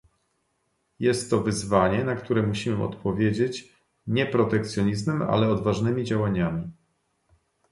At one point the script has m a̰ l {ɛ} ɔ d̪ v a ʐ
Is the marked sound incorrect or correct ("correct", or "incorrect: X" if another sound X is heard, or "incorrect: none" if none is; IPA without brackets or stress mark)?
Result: correct